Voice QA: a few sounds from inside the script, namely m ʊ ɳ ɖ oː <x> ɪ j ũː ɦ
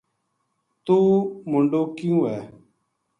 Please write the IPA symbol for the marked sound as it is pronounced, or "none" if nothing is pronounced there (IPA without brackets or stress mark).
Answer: k